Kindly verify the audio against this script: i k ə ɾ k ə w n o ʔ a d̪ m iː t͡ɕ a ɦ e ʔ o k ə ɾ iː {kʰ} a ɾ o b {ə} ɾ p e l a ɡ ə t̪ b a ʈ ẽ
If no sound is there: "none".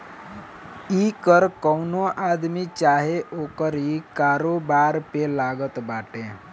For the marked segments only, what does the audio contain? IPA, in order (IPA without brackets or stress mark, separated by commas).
k, a